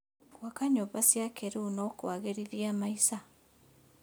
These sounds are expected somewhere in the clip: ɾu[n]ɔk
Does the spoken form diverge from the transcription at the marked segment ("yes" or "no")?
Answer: no